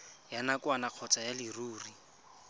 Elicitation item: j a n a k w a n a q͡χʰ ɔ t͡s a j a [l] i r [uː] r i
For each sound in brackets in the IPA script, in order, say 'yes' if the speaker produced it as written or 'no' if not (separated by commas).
yes, yes